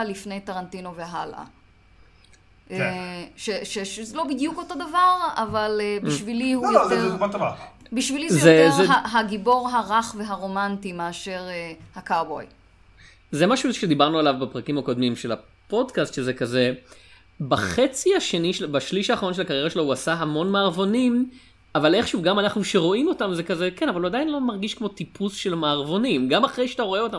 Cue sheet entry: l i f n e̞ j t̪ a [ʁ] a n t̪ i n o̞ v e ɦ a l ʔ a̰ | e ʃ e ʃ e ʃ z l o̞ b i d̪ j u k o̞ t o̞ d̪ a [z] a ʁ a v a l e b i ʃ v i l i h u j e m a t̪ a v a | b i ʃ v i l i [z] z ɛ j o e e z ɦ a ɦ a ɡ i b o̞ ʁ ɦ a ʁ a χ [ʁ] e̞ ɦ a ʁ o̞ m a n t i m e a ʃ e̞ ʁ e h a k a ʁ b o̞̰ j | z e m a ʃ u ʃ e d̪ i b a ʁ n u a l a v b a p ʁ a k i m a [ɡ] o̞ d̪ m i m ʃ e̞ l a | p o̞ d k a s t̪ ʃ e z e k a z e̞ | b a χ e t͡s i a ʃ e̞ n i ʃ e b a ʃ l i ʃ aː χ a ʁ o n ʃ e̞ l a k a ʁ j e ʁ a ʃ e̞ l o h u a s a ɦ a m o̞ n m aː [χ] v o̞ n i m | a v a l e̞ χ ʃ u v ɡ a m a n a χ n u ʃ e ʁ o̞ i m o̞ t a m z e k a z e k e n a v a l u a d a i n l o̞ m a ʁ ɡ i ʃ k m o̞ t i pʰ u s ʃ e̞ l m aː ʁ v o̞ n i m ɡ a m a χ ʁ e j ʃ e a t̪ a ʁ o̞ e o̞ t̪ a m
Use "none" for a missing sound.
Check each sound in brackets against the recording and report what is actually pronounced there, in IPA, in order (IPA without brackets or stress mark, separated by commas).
ʁ, v, z, v, k, ʁ